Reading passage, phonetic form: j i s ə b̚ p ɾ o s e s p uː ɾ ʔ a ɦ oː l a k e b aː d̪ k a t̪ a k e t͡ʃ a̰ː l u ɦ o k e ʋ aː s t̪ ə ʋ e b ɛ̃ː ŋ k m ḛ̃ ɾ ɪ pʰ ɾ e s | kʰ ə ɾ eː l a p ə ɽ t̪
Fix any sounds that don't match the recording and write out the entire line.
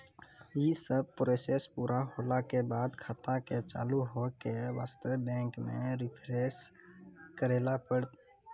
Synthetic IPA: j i s ə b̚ p ɾ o s e s p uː ɾ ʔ a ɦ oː l a k e b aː d̪ kʰ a t̪ a k e t͡ʃ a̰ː l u ɦ o k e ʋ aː s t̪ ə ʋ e b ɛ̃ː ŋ k m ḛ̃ ɾ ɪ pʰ ɾ e s | k ə ɾ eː l a p ə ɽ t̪

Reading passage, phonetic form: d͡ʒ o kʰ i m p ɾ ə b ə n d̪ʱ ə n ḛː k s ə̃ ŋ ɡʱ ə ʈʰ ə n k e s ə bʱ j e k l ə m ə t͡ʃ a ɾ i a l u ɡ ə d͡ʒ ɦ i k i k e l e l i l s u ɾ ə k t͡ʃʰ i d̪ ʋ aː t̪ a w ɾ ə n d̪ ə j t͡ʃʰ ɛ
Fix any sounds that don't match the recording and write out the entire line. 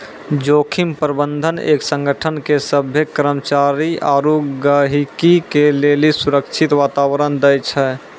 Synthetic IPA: d͡ʒ o kʰ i m p ɾ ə b ə n d̪ʱ ə n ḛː k s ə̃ ŋ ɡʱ ə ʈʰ ə n k e s ə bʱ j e k ɾ ə m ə t͡ʃ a ɾ i a ɾ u ɡ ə ɦ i k i k e l e l i s u ɾ ə k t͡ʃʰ i t̪ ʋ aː t̪ a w ɾ ə n d̪ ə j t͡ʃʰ ɛ

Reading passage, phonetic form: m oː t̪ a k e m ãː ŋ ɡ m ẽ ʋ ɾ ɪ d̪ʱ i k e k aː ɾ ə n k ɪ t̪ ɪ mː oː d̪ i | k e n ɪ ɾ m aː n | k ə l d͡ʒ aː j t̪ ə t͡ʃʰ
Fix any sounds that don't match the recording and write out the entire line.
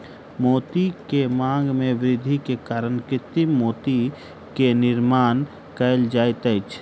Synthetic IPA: m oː t̪ i k e m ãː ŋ ɡ m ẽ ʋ ɾ ɪ d̪ʱ i k e k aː ɾ ə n k ɪ t̪ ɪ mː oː t̪ i | k e n ɪ ɾ m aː n | k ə l d͡ʒ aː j t̪ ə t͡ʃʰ

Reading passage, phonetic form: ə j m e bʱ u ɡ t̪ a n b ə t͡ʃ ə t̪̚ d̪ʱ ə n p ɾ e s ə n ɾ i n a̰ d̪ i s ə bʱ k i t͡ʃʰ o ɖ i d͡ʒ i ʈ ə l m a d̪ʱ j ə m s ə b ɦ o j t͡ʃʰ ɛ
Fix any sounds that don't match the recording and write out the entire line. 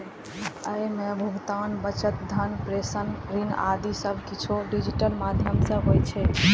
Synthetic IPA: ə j m e bʱ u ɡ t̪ a n b ə t͡ʃ ə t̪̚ d̪ʱ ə n p ɾ e s ə n ɾ i n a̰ d̪ i s ə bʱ k i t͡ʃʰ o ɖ i d͡ʒ i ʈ ə l m a d̪ʱ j ə m s ə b ɦ o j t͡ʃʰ ɛ

